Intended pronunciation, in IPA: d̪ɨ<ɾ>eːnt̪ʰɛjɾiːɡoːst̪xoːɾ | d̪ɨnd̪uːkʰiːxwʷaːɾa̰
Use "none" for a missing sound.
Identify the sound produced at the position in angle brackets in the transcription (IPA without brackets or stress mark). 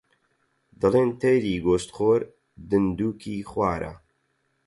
l